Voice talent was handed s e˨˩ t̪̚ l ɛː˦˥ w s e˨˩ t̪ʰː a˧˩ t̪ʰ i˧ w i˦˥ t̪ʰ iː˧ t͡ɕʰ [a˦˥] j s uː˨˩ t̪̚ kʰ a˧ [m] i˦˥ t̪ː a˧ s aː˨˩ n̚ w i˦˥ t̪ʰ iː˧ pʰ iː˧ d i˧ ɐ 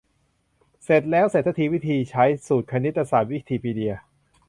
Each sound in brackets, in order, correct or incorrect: correct, incorrect

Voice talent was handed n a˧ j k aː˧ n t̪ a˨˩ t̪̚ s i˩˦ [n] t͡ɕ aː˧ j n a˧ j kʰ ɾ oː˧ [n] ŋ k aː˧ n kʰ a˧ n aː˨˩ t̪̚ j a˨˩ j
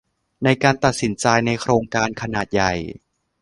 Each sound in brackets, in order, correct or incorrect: correct, incorrect

